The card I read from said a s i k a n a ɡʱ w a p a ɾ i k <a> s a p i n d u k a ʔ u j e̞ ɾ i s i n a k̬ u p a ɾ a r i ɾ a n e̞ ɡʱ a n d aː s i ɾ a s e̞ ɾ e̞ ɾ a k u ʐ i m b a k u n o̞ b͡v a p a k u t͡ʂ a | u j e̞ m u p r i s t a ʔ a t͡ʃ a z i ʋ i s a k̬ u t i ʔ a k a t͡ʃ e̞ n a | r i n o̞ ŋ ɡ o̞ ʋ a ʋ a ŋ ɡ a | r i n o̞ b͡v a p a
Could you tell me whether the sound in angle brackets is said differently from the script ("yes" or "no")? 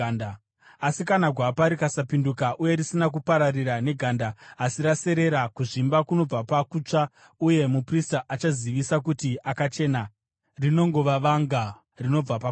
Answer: no